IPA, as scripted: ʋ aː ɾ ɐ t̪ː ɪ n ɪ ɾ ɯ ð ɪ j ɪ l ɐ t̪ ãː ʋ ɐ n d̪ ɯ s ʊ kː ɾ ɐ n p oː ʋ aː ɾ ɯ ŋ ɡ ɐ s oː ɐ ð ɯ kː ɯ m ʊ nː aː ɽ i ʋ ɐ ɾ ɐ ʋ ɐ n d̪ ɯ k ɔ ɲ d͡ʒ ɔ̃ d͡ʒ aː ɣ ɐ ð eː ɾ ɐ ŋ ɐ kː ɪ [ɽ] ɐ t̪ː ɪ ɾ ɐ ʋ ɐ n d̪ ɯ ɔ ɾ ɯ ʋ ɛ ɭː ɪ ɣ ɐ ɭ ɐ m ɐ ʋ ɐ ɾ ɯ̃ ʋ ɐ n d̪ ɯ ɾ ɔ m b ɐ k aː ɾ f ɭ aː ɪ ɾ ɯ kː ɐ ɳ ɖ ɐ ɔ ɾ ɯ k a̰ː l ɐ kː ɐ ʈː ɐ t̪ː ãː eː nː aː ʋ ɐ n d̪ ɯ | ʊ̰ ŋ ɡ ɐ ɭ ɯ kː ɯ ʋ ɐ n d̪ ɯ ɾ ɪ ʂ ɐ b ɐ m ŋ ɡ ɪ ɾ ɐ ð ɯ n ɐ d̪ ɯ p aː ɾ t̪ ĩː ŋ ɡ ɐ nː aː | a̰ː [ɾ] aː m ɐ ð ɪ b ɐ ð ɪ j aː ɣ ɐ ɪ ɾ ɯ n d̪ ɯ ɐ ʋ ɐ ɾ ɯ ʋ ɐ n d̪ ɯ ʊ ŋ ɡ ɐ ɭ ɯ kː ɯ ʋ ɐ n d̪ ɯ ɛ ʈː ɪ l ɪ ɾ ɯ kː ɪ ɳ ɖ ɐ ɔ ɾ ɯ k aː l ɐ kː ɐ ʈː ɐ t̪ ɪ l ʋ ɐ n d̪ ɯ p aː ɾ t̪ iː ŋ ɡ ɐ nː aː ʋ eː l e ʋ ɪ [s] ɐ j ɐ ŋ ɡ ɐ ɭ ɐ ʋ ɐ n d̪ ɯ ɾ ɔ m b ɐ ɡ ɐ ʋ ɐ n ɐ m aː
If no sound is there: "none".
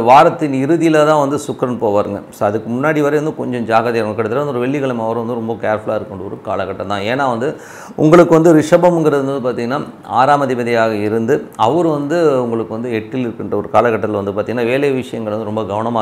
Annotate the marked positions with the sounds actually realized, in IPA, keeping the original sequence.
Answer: ɽ, ɾ, ʂ

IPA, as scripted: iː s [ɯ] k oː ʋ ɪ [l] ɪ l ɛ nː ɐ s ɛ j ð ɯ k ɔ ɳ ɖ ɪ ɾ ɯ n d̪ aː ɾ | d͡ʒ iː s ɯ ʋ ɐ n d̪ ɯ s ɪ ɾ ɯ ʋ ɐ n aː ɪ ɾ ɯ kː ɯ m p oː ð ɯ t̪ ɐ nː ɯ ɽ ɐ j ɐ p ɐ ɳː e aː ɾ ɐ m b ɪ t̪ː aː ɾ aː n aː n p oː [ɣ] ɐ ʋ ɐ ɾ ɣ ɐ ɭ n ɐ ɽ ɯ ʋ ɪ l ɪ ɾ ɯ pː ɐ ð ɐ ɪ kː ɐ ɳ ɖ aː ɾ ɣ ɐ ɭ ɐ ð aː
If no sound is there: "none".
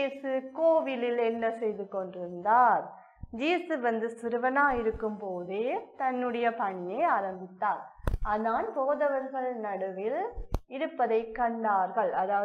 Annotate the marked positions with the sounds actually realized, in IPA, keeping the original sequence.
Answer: ɯ, l, ð

